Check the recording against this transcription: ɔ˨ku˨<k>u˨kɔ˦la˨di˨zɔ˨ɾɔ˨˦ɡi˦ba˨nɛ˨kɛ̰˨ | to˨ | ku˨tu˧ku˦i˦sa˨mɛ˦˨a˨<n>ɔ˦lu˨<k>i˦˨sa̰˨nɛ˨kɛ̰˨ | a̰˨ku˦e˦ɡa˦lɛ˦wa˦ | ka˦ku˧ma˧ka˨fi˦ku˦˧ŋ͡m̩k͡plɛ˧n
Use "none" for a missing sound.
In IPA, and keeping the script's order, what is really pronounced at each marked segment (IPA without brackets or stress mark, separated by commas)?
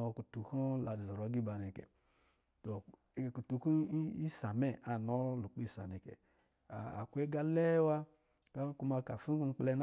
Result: t, n, k͡p